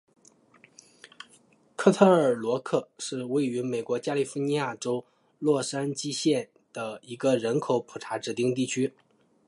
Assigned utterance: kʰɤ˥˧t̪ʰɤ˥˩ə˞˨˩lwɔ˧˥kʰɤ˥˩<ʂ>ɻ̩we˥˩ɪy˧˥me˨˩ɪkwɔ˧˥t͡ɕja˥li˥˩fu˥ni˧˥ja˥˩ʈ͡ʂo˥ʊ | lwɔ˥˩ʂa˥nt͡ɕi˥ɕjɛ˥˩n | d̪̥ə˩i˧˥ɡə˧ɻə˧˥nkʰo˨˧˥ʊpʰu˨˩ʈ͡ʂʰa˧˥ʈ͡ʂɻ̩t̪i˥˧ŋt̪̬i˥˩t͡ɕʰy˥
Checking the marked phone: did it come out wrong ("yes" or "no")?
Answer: no